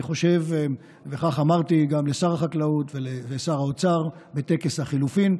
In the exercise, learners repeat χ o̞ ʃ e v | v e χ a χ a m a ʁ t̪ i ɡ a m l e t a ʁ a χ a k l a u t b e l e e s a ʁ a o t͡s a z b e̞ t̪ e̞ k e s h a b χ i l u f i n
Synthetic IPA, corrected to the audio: χ o̞ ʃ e v | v e χ a χ a m a ʁ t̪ i ɡ a m l e s a ʁ a χ a k l a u t v e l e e s a ʁ a o t͡s a ʁ b e̞ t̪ e̞ k e s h a χ i l u f i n